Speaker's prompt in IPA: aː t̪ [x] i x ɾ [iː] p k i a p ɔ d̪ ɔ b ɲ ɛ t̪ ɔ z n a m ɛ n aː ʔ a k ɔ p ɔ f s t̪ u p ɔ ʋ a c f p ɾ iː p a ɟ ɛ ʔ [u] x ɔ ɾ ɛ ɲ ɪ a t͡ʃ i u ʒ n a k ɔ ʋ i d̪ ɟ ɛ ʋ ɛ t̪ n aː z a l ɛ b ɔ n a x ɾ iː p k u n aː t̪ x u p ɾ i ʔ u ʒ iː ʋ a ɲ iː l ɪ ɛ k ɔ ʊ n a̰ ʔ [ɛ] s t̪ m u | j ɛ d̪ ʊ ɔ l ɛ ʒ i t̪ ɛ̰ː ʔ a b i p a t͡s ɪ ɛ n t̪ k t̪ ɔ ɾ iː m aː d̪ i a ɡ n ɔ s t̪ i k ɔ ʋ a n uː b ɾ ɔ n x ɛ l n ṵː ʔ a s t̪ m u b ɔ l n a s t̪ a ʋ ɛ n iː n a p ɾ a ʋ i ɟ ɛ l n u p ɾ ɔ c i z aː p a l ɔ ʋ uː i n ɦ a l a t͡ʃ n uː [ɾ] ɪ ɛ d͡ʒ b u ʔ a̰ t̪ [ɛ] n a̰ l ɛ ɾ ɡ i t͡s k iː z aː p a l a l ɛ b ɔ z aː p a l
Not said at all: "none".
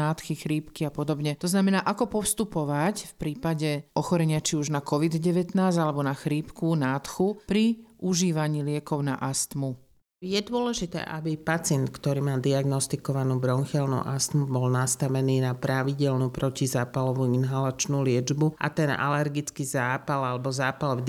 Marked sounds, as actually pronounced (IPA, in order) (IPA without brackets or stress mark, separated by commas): x, iː, ɔ, a, l, ɛ